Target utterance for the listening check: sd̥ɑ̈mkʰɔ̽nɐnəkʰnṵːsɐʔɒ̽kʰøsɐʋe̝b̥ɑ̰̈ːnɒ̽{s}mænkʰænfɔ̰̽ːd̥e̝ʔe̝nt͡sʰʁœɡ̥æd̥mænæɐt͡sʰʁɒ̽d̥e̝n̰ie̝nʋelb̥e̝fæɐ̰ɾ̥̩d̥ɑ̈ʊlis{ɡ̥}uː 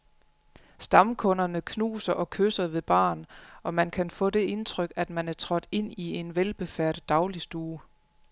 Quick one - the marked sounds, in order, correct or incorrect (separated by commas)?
incorrect, incorrect